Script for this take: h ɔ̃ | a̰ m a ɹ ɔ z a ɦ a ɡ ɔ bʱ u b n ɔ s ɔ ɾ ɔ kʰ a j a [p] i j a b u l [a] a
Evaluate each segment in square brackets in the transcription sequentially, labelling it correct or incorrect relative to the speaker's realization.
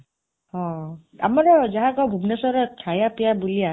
correct, incorrect: i

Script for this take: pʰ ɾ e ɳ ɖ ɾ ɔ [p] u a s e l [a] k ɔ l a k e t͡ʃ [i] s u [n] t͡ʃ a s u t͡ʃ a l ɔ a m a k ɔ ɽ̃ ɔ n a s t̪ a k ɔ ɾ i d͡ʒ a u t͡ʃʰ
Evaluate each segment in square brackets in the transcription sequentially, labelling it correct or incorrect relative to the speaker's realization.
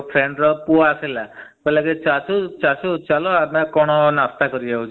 correct, correct, incorrect: a, incorrect: none

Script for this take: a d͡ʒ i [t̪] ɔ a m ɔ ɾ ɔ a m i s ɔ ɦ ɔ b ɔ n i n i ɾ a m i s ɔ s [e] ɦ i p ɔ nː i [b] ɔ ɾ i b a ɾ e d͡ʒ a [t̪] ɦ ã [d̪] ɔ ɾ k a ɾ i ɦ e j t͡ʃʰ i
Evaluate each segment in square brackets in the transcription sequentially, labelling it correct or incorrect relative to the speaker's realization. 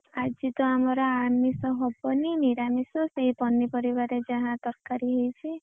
correct, correct, incorrect: p, incorrect: none, incorrect: t̪

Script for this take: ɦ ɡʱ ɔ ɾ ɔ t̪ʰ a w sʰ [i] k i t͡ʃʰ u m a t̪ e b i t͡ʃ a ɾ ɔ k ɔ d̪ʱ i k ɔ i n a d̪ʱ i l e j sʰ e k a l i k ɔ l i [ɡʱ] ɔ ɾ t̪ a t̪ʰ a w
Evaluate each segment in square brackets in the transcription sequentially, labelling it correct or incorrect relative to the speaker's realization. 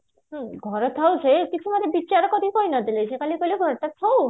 incorrect: e, correct

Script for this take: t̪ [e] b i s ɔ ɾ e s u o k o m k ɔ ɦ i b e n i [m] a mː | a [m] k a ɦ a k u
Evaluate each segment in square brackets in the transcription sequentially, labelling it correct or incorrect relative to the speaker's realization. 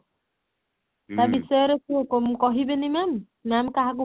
incorrect: a, correct, correct

